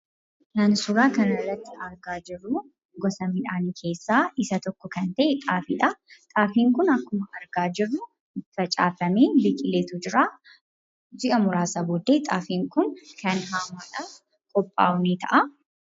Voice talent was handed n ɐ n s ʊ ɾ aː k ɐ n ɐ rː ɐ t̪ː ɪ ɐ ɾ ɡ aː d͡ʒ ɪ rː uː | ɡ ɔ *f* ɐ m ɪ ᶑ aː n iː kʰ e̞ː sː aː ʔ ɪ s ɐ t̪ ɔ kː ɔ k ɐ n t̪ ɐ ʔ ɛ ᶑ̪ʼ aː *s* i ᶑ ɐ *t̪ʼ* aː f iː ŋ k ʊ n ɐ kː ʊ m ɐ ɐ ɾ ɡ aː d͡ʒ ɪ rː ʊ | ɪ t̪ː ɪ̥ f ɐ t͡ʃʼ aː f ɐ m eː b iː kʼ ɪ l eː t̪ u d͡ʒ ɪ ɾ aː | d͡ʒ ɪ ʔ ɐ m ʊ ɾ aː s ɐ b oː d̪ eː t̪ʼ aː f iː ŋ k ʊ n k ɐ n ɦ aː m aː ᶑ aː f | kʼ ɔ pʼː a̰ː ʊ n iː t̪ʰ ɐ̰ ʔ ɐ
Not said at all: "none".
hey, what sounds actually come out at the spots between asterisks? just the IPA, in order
s, f, t̪ʼ

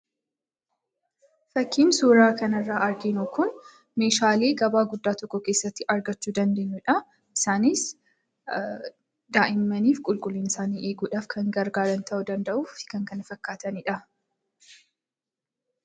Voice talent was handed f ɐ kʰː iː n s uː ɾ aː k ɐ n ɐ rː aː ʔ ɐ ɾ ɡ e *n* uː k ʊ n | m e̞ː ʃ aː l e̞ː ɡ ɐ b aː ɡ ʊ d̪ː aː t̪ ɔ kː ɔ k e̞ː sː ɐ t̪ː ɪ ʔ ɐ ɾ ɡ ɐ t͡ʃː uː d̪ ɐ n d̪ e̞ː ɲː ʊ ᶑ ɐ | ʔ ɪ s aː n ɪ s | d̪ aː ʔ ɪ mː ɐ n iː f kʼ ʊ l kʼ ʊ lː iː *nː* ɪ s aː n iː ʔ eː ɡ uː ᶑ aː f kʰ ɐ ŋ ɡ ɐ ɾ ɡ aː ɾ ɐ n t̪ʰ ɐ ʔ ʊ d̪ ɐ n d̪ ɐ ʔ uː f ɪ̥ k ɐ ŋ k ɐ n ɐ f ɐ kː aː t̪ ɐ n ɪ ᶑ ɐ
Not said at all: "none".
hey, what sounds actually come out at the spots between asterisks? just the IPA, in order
n, n

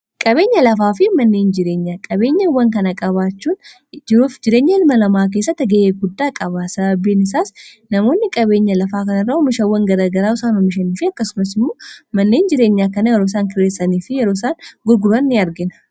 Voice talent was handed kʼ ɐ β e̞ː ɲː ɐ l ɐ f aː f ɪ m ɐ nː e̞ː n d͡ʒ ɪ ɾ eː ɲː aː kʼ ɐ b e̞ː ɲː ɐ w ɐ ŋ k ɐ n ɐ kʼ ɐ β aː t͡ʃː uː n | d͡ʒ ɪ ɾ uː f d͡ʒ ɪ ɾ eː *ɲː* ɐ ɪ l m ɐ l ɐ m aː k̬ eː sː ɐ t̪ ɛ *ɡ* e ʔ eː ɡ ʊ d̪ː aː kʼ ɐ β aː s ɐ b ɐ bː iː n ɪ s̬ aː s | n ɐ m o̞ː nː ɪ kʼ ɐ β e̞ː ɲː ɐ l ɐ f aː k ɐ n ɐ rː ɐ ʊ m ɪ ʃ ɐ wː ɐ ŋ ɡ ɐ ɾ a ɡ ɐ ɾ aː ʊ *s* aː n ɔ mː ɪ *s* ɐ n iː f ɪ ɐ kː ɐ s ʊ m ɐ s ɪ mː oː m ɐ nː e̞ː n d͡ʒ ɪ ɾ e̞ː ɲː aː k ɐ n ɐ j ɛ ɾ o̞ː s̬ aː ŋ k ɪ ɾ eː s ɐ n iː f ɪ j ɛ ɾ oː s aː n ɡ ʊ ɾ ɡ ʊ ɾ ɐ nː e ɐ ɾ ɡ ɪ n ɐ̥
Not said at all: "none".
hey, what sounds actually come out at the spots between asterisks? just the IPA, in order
ɲː, ɡ, s, ʃ

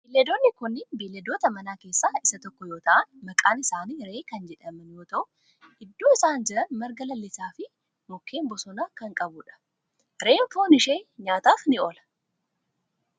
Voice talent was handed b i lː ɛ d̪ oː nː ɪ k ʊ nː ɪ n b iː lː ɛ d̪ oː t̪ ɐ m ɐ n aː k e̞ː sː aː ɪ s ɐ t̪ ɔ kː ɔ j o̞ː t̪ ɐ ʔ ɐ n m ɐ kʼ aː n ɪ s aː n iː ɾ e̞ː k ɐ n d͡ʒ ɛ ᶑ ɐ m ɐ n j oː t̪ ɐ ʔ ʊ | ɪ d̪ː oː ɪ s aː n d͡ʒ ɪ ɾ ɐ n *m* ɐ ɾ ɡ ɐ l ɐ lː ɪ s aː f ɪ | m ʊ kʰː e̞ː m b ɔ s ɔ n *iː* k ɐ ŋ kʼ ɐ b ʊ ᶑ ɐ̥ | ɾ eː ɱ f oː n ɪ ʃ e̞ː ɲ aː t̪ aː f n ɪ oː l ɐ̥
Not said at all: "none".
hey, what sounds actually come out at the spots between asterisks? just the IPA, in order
m, aː

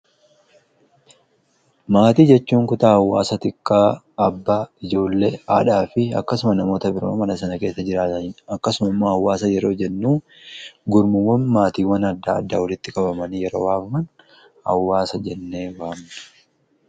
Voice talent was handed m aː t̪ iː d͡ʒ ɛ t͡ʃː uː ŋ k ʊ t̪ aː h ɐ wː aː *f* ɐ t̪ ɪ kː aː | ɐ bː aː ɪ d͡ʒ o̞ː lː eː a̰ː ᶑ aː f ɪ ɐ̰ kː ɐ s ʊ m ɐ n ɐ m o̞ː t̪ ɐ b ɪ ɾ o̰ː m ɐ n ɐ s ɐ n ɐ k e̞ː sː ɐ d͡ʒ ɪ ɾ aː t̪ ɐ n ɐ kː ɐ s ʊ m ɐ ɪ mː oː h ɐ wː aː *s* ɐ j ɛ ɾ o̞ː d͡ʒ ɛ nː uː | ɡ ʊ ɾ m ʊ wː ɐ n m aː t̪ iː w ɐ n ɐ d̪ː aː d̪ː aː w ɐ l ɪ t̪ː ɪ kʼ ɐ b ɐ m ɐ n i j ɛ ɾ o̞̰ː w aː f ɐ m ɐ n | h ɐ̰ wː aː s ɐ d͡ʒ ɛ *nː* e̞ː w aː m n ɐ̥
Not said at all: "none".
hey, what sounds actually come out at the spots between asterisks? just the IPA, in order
s, s, nː

